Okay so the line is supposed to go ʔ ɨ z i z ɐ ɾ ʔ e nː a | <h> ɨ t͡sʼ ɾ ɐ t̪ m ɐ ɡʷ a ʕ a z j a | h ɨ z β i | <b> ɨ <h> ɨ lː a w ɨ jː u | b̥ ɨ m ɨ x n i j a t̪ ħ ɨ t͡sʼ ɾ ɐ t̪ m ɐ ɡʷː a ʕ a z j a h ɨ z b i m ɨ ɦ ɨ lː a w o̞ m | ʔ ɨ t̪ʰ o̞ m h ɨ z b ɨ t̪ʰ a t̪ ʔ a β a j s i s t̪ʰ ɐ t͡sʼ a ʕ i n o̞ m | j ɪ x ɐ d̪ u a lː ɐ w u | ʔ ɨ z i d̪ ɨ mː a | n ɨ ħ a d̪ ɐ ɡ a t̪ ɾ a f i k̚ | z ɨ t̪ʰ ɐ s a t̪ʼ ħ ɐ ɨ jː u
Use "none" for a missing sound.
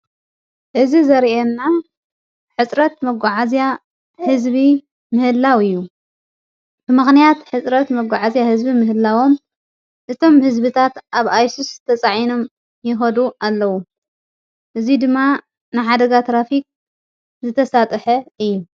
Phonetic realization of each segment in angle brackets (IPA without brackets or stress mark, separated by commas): ħ, m, h